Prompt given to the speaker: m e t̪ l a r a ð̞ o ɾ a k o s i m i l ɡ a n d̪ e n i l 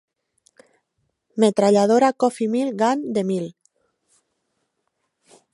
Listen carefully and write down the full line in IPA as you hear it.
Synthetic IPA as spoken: m e t̪ ɾ a ʎ a ð̞ o ɾ a k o f i m i l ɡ a n d̪ e m i l